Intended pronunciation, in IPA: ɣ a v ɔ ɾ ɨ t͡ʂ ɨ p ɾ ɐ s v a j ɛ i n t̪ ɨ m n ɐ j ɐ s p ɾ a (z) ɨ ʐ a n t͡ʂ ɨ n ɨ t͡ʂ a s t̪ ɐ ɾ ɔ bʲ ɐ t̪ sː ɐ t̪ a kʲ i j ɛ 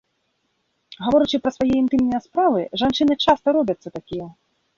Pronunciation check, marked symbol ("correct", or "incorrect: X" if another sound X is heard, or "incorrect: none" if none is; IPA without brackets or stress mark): incorrect: v